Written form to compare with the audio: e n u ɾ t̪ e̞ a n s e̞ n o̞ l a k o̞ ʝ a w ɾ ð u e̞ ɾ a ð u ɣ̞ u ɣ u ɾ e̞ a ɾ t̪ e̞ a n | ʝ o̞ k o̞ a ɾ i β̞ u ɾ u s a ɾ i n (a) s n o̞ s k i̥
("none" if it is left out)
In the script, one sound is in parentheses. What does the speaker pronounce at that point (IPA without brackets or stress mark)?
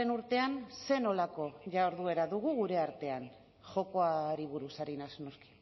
a